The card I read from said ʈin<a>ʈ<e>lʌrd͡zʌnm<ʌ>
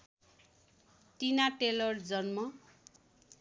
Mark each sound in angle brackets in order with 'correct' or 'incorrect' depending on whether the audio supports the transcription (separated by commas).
correct, correct, correct